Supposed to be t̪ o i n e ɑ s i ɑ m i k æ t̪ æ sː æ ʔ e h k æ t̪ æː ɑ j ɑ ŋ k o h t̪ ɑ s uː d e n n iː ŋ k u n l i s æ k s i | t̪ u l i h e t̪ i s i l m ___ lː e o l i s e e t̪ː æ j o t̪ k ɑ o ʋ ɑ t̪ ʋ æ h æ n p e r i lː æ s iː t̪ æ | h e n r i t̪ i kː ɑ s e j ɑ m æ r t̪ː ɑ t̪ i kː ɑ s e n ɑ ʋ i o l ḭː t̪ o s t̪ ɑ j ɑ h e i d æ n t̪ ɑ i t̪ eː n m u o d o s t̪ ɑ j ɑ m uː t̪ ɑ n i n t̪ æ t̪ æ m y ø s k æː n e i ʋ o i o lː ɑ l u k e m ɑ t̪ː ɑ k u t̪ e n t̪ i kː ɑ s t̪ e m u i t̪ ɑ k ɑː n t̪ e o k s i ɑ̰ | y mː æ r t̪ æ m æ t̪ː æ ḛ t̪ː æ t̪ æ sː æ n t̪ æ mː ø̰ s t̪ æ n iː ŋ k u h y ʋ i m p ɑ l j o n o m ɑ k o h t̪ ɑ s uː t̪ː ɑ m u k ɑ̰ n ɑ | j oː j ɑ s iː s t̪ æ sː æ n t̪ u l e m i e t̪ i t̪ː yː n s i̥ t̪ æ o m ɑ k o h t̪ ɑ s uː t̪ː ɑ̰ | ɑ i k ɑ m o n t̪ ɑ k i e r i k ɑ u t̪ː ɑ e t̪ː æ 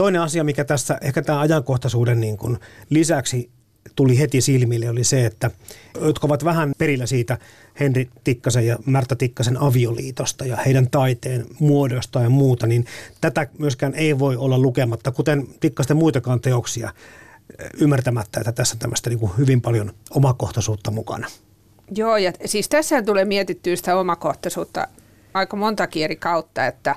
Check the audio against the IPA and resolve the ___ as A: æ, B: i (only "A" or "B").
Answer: B